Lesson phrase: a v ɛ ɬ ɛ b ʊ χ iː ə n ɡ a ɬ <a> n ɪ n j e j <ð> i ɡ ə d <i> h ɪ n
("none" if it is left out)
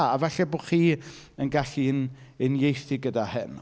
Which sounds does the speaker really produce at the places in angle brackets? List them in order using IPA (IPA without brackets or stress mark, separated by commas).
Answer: i, θ, a